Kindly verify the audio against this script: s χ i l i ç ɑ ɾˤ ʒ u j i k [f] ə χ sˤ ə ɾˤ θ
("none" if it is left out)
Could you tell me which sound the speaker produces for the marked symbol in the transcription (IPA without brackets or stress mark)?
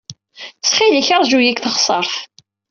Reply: θ